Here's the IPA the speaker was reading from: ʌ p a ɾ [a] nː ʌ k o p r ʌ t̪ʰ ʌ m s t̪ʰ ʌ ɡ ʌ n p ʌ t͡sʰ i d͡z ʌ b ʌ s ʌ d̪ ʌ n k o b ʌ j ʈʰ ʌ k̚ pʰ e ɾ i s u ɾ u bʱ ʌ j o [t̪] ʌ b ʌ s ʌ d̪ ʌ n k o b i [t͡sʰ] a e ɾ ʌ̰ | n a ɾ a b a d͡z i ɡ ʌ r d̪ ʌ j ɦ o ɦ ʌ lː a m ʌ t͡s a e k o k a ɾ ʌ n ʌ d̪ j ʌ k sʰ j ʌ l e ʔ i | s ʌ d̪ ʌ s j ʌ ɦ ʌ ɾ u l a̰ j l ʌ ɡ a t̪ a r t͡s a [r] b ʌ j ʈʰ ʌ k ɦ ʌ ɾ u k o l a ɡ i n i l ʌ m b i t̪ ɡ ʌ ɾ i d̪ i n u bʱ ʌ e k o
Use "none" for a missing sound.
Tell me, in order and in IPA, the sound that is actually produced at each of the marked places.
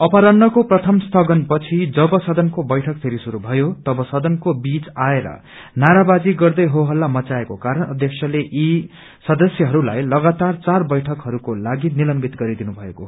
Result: ʌ, t̪, t͡s, r

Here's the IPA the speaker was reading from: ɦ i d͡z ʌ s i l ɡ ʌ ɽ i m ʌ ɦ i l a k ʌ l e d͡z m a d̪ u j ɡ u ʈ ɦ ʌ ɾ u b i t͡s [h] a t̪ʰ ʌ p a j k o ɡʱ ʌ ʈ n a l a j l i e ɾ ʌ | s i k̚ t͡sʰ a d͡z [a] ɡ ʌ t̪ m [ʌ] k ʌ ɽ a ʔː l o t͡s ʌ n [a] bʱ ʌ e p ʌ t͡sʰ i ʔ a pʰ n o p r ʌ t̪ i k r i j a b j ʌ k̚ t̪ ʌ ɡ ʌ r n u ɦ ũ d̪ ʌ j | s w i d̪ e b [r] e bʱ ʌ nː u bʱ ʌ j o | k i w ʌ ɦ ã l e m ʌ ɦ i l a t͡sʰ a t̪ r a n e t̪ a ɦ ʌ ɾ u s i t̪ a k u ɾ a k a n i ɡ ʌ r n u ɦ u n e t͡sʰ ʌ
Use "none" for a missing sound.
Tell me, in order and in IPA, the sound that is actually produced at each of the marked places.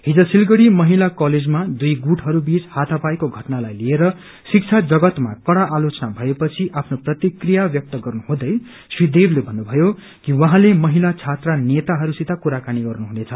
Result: h, ʌ, a, a, l

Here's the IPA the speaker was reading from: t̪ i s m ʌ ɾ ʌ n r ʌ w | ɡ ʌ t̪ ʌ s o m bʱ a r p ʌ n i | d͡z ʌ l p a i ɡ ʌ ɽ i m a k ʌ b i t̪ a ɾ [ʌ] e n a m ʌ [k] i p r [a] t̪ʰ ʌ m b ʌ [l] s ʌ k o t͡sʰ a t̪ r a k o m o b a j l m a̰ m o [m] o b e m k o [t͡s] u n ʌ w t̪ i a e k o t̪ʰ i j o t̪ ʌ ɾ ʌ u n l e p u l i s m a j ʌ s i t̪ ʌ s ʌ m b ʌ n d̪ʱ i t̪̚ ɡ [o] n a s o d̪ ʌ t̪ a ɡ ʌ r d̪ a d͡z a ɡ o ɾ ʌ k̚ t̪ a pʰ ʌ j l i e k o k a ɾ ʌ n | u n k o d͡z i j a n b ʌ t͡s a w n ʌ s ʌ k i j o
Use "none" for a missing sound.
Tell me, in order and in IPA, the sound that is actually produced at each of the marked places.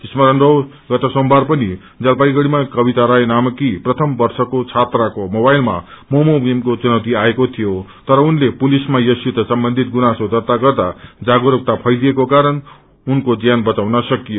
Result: a, k, ʌ, r, m, t͡s, u

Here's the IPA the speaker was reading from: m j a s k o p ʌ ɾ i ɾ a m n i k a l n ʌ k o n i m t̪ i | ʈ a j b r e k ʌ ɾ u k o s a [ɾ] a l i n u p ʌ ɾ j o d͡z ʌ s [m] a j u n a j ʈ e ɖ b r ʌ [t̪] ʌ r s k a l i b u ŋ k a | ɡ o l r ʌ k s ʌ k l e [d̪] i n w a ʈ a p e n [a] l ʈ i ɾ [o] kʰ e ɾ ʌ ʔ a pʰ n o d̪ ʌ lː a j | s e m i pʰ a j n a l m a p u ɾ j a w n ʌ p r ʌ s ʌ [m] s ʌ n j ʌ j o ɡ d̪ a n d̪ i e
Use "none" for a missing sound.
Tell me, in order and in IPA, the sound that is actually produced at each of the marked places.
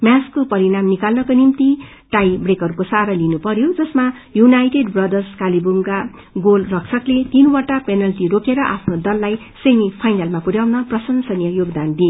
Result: ɾ, m, d̪, t̪, ʌ, o, n

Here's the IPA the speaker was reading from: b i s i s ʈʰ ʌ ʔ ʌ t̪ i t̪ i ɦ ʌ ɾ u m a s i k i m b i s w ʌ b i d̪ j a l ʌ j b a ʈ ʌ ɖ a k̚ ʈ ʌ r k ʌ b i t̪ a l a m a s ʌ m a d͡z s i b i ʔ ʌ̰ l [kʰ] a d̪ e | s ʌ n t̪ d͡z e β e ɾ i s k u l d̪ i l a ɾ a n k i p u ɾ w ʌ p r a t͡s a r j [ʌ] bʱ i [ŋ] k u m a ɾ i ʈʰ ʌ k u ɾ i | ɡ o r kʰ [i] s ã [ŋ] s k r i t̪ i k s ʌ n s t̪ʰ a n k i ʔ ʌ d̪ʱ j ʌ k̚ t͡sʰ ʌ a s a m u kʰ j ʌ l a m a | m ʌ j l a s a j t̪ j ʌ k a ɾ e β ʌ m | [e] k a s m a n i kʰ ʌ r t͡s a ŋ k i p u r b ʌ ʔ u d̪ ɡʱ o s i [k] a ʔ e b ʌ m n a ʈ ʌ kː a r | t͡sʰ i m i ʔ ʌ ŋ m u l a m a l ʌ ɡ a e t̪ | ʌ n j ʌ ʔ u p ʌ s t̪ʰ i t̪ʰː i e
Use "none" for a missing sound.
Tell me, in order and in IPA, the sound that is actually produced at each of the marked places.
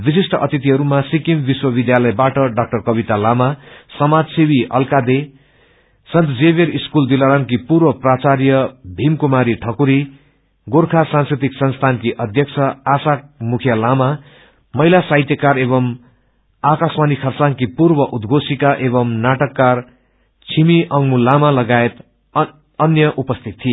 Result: k, ʌ, m, a, n, a, k

